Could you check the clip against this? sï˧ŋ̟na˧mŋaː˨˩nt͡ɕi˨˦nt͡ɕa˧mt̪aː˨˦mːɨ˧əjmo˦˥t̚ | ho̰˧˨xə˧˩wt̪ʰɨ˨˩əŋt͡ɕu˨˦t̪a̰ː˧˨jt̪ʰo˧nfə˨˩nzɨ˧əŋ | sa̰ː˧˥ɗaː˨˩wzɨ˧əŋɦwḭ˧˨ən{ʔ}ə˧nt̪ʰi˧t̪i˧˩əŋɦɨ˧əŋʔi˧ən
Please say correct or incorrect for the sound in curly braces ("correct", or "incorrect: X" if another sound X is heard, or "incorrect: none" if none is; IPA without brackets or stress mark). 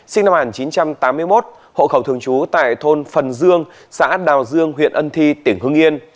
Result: correct